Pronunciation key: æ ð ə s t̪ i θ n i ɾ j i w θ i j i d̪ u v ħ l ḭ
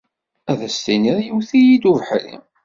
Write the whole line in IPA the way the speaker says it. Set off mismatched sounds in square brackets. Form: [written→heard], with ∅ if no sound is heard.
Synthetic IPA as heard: æ ð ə s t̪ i [θ→∅] n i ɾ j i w θ i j i d̪ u v ħ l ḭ